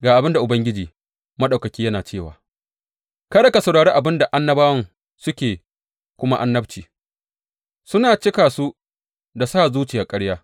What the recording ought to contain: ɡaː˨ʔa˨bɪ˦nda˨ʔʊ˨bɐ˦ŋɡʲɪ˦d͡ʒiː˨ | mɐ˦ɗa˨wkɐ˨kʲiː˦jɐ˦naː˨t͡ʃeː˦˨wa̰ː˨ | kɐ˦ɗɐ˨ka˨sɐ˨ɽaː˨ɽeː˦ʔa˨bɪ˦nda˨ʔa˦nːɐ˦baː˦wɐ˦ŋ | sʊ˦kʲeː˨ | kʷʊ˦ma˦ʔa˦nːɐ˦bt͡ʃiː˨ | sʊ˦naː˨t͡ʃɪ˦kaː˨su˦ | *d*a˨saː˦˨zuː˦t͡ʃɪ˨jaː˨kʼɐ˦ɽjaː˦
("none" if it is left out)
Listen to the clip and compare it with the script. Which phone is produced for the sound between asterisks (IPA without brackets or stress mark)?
d